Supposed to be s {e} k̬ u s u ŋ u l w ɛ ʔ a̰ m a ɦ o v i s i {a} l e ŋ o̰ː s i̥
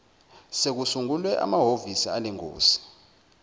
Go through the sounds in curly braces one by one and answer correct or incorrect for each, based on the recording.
correct, correct

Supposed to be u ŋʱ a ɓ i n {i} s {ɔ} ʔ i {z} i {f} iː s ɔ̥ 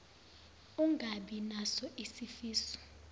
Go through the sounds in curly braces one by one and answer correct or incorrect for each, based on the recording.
incorrect: a, correct, incorrect: s, correct

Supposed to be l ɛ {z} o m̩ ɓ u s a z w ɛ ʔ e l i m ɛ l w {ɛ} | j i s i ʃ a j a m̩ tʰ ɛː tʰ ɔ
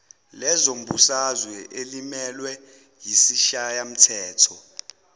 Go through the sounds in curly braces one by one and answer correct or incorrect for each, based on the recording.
correct, correct

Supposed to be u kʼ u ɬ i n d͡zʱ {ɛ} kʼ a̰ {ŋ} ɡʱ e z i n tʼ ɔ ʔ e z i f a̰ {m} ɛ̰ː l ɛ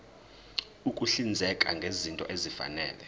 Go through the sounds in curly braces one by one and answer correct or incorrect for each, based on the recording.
correct, correct, incorrect: n

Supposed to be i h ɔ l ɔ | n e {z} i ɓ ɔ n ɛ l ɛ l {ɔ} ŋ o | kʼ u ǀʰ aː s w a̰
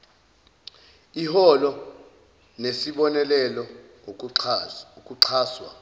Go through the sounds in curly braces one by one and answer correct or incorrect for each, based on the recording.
incorrect: s, correct

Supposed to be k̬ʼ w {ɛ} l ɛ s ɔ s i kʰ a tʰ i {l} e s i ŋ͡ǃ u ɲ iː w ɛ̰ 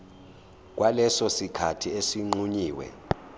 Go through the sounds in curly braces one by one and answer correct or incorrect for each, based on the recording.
incorrect: a, incorrect: none

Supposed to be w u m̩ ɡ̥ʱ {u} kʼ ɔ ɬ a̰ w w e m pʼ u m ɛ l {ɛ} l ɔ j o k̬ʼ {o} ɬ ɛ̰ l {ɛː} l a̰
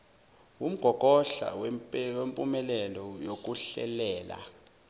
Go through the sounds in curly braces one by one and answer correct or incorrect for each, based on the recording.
incorrect: ɔ, correct, incorrect: u, correct

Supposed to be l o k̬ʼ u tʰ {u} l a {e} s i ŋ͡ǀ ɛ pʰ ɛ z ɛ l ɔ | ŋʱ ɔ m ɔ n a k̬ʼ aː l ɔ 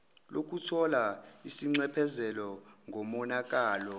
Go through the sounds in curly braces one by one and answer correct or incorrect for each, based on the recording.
incorrect: ɔ, incorrect: i

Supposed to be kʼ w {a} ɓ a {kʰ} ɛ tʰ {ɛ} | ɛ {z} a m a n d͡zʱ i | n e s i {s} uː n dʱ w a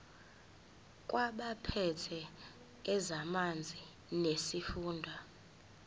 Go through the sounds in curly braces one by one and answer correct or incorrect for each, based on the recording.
correct, incorrect: pʰ, correct, correct, incorrect: f

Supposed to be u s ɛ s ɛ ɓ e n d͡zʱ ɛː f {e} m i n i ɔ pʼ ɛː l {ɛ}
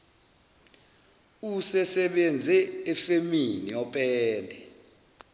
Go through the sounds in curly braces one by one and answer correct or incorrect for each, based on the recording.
correct, correct

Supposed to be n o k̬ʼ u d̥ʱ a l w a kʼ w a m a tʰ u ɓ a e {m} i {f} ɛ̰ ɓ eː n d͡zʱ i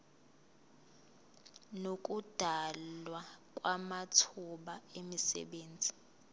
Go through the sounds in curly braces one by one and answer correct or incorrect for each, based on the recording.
correct, incorrect: s

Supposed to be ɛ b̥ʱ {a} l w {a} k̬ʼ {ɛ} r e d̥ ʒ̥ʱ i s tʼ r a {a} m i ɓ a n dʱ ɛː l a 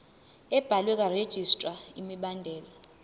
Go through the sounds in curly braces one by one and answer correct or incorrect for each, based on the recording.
correct, incorrect: ɛ, incorrect: a, incorrect: i

